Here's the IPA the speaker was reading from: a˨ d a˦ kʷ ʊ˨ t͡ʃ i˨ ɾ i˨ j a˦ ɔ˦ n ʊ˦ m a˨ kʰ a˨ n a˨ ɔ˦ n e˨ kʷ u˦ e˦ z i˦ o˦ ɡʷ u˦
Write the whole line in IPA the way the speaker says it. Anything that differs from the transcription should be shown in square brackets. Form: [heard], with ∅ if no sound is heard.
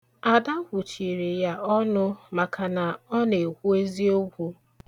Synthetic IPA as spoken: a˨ d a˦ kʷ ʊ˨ t͡ʃ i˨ ɾ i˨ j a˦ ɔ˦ n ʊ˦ m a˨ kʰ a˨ n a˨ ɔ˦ n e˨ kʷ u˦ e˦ z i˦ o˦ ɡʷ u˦